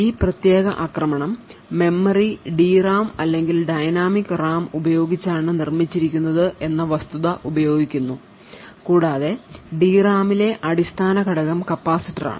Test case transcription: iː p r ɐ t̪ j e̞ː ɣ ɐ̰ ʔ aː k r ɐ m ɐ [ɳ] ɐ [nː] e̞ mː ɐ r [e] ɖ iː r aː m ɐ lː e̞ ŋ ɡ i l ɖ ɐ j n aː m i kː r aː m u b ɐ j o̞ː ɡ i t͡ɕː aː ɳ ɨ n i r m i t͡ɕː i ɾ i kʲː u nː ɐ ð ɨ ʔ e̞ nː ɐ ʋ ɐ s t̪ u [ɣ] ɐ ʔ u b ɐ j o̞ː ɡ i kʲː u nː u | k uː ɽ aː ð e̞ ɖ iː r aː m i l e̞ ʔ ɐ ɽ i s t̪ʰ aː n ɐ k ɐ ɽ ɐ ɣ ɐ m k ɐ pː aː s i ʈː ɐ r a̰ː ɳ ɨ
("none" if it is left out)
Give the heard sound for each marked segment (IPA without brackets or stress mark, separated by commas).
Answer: ɳ, mː, i, ð